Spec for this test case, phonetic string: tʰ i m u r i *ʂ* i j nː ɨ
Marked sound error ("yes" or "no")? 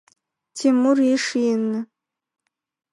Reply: no